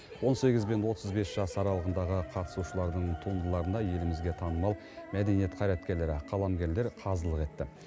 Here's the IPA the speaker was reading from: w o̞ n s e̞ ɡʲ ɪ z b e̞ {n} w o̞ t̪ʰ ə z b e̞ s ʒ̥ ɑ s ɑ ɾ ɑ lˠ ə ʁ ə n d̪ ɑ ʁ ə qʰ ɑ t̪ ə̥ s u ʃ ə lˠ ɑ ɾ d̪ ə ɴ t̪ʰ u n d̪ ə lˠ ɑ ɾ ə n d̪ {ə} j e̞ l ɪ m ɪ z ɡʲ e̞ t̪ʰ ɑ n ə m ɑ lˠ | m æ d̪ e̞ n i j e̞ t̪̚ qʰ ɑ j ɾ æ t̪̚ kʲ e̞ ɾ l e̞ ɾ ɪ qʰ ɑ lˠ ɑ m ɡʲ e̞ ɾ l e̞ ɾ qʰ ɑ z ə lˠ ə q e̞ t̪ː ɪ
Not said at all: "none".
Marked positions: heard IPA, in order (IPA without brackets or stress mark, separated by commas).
n, ɑ